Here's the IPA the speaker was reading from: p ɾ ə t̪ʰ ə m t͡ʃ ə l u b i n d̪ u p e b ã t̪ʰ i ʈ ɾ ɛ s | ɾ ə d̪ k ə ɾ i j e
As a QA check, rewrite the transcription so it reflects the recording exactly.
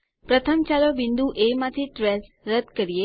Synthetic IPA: p ɾ ə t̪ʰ ə m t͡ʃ a l o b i n d̪ u ʔ e m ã t̪ʰ i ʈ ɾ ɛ s | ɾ ə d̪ k ə ɾ i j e